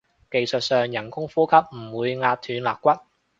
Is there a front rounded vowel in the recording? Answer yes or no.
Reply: yes